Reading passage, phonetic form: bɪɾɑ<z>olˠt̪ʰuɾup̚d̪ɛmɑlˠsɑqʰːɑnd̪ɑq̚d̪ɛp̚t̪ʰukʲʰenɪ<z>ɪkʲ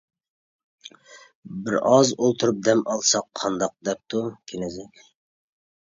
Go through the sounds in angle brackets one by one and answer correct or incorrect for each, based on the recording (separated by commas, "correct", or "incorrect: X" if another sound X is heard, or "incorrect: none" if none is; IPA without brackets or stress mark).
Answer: correct, correct